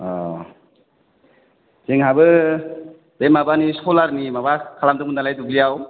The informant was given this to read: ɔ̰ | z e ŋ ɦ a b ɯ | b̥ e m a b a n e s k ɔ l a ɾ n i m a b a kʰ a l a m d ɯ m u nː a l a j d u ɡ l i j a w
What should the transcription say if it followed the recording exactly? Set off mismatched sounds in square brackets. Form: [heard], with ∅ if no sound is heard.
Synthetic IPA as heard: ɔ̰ | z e ŋ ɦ a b ɯ | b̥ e m a b a n [i] s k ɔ l a ɾ n i m a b a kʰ a l a m d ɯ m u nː a l a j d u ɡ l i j a w